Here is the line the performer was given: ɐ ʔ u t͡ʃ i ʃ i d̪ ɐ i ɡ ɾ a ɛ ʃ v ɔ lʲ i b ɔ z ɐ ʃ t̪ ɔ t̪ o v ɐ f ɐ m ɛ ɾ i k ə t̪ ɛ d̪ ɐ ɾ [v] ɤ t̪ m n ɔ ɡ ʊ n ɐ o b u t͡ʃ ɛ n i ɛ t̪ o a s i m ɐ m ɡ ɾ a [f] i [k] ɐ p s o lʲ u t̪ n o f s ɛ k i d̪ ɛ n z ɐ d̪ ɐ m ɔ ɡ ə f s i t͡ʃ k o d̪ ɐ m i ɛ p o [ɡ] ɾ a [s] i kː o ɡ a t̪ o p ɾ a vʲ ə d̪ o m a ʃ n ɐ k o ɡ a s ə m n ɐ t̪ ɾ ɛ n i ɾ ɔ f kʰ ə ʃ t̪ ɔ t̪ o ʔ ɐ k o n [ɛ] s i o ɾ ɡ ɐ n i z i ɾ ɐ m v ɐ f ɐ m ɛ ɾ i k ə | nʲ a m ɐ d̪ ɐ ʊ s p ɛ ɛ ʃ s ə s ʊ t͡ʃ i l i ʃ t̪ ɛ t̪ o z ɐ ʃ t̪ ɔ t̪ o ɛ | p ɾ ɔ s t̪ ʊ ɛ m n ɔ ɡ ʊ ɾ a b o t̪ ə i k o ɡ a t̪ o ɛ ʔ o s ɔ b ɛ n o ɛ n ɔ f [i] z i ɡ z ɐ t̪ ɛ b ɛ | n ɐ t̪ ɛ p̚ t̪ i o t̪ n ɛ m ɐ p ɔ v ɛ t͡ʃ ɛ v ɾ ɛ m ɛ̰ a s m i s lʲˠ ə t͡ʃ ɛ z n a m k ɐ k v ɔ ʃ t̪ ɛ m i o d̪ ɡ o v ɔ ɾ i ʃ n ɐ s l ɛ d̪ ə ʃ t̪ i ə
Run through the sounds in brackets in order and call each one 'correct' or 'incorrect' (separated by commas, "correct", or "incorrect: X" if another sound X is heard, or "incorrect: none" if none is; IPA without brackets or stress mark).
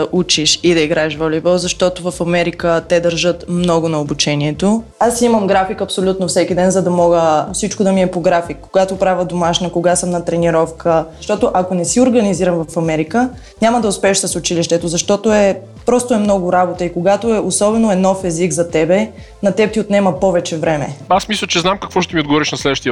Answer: incorrect: ʒ, correct, correct, correct, incorrect: f, correct, incorrect: ɛ